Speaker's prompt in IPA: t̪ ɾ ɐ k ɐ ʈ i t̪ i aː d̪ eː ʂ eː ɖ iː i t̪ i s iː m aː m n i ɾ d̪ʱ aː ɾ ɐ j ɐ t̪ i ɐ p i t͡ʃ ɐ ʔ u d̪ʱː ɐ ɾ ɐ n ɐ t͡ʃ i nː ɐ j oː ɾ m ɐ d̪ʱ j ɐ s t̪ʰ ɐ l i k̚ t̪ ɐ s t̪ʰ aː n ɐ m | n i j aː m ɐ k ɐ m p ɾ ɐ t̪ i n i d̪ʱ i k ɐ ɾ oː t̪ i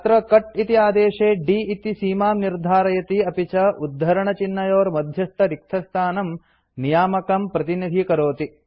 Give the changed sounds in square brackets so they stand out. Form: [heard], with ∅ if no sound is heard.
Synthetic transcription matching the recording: t̪ ɾ ɐ k ɐ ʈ i t̪ i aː d̪ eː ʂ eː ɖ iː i t̪ i s iː m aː m n i ɾ d̪ʱ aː ɾ ɐ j ɐ t̪ i ɐ p i t͡ʃ ɐ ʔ u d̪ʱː ɐ ɾ ɐ [ɳ] ɐ t͡ʃ i nː ɐ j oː ɾ m ɐ d̪ʱ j ɐ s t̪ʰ ɐ [ɾ] i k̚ [t̪ʰ] ɐ s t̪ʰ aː n ɐ m | n i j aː m ɐ k ɐ m p ɾ ɐ t̪ i n i d̪ʱ i k ɐ ɾ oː t̪ i